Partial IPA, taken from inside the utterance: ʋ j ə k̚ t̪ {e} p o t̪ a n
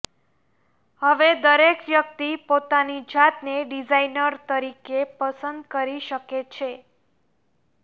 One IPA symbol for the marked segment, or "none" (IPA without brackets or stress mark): i